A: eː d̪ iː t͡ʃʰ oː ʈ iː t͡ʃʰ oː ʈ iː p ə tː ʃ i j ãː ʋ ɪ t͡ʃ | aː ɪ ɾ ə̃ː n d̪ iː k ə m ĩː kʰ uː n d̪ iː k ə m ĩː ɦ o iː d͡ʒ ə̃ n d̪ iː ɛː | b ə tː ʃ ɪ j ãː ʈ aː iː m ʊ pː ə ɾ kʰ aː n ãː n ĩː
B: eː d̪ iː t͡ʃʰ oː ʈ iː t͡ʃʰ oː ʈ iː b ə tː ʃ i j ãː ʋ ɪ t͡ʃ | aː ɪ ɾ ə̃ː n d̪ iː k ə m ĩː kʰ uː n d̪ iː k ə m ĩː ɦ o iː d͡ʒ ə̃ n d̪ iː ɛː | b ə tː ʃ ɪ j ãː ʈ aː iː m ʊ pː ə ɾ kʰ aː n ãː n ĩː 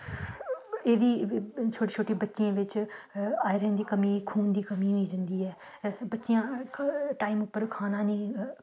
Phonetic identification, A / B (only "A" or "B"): B